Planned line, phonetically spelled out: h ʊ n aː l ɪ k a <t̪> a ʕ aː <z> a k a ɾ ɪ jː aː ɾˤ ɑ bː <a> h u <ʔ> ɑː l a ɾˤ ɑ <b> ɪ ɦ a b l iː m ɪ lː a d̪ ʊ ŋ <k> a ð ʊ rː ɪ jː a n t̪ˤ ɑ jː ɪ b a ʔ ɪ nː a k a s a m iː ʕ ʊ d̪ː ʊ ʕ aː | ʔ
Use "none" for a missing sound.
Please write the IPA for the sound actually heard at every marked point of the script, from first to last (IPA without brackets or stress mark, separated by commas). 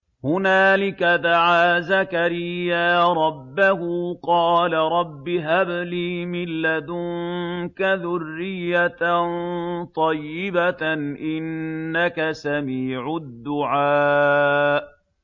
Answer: d̪, z, a, q, bː, k